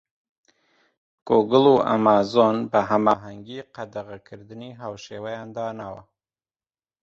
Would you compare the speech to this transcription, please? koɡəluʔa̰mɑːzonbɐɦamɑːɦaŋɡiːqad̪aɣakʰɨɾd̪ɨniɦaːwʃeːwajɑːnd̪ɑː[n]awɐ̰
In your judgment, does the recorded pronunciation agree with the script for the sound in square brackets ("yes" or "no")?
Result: yes